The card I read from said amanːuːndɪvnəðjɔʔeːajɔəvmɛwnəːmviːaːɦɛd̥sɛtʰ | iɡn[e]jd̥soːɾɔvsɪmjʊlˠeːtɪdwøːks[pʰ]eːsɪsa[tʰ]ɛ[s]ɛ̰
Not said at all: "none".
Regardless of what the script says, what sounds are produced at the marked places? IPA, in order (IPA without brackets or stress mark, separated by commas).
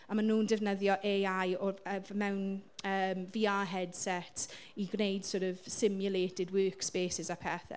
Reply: e, p, pʰ, θ